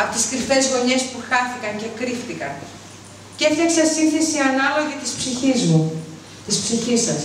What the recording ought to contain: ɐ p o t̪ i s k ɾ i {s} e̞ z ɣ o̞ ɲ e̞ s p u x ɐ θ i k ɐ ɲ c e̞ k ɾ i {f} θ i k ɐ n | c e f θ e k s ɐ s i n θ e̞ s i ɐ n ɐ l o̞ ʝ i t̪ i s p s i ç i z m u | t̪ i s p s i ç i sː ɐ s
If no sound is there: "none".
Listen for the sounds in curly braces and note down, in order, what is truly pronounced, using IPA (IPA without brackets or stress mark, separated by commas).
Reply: f, f